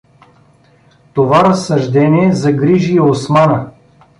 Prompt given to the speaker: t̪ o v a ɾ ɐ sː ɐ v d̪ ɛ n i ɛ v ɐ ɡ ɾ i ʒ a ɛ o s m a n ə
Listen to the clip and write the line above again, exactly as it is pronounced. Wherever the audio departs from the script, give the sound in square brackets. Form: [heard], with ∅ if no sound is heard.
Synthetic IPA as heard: t̪ o v a ɾ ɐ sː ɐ [ʒ] d̪ ɛ n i ɛ [z] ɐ ɡ ɾ i ʒ [i] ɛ o s m a n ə